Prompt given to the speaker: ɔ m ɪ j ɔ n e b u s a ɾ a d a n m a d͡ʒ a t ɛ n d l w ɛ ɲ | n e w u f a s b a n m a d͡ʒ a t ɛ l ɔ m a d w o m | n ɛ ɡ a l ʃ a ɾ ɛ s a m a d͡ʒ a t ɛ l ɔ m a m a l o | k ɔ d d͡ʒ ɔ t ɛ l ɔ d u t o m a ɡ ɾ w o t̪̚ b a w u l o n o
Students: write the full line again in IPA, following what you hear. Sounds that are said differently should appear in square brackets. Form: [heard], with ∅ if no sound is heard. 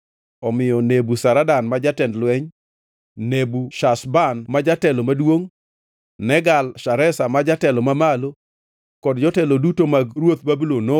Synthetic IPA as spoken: ɔ m ɪ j ɔ n e b u s a ɾ a d a n m a d͡ʒ a t ɛ n d l w ɛ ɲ | n e [b] u [ʃ] a s b a n m a d͡ʒ a t ɛ l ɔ m a d w o [ŋ] | n ɛ ɡ a l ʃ a ɾ ɛ s a m a d͡ʒ a t ɛ l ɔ m a m a l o | k ɔ d d͡ʒ ɔ t ɛ l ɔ d u t o m a ɡ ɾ w o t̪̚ b a [b] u l o n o